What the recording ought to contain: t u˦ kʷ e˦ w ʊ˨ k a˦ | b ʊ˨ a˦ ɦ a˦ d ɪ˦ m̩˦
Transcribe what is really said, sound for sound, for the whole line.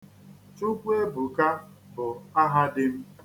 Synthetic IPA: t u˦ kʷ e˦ b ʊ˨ k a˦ | b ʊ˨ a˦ ɦ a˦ d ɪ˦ m̩˦